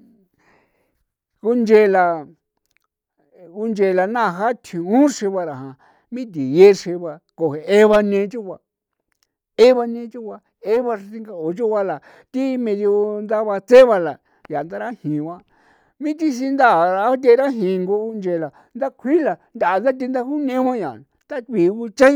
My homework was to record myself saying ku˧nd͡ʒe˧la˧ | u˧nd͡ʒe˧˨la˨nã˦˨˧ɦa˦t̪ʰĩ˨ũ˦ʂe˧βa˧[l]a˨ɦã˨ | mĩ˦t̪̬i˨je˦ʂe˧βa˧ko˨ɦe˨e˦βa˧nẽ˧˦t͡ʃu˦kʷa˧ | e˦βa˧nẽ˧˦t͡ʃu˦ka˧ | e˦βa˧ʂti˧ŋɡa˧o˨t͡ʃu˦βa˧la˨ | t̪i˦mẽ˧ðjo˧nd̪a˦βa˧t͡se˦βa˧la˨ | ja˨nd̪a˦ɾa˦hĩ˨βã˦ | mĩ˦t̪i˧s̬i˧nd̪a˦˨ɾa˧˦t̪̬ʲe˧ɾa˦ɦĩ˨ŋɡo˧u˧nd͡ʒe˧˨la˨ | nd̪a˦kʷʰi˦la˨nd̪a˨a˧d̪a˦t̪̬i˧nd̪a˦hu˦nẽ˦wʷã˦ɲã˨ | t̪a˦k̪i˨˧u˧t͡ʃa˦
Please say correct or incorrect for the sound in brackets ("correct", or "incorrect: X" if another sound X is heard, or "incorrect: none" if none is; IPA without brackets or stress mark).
incorrect: ɾ